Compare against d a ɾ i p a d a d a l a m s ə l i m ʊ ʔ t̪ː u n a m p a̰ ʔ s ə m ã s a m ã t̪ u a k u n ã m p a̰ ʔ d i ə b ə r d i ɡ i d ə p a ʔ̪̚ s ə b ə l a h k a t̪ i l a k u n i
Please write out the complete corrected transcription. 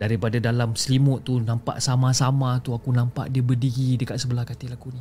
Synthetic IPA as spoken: d a ɾ i p a d a d a l a m s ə l i m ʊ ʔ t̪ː u n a m p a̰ ʔ s a m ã s a m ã t̪ u a k u n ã m p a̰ ʔ d i ə b ə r d i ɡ i d ə k a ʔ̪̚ s ə b ə l a h k a t̪ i l a k u n i